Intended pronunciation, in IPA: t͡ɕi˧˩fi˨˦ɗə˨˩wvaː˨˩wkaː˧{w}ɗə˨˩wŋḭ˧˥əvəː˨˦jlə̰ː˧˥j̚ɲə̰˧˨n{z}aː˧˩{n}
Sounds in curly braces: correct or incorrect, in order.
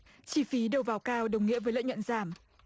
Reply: correct, correct, incorrect: m

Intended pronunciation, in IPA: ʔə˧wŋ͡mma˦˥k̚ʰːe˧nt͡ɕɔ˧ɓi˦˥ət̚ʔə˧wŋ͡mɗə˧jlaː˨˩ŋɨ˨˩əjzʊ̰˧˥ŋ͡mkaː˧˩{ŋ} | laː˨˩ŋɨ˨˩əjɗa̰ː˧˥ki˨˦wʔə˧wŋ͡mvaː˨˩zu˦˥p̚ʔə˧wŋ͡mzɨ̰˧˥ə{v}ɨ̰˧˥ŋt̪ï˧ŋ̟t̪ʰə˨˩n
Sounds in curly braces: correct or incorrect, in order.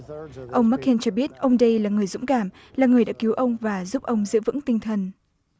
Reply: incorrect: m, correct

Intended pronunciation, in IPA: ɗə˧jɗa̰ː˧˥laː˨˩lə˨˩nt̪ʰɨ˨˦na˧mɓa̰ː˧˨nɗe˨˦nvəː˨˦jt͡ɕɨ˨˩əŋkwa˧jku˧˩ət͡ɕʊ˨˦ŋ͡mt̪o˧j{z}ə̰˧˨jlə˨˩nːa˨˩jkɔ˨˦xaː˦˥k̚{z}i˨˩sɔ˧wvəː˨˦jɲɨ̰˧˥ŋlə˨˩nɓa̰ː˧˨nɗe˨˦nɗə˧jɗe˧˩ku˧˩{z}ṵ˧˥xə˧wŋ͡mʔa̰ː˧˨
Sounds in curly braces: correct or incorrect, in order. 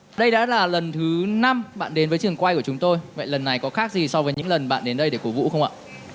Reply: incorrect: v, correct, incorrect: v

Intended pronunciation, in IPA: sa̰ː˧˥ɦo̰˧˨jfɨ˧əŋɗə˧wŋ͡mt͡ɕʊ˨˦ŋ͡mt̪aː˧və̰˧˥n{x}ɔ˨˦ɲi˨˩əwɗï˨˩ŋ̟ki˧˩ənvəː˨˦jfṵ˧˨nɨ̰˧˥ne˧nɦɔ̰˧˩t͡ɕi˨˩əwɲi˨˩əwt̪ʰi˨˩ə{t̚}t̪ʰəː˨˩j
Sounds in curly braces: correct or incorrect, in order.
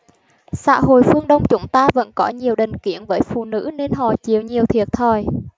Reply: incorrect: k, correct

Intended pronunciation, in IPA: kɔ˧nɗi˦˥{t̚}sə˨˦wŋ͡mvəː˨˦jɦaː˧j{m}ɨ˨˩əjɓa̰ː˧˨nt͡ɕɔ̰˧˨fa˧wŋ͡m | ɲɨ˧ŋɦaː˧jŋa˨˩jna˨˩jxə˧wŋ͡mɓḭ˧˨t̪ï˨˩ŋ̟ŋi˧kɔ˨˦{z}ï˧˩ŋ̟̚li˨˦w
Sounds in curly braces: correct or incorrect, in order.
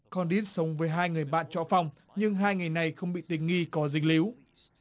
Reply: correct, incorrect: ŋ, correct

